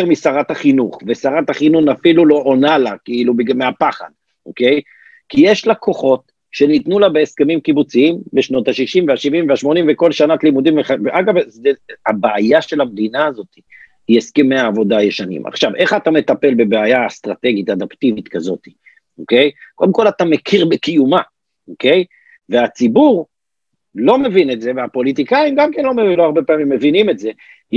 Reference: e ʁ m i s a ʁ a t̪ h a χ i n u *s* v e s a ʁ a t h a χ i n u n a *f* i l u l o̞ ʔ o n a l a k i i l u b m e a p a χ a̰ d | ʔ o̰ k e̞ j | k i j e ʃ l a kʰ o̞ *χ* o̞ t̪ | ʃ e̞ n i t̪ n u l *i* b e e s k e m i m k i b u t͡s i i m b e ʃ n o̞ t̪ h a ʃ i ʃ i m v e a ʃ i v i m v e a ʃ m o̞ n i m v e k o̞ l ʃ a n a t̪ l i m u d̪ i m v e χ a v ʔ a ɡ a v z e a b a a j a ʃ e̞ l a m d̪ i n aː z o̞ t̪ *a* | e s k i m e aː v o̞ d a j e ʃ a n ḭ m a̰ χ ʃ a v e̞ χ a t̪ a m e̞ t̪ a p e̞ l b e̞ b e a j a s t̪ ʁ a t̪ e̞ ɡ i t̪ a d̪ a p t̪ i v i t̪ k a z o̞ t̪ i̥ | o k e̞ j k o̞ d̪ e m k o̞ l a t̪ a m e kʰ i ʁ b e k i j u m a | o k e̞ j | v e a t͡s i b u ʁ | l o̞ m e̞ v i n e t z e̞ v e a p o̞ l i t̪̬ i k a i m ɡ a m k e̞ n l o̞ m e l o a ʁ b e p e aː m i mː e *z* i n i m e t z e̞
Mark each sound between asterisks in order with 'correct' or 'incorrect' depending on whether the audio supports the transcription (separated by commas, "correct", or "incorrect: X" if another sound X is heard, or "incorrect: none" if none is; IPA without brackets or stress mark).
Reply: incorrect: χ, correct, correct, incorrect: a, incorrect: i, incorrect: v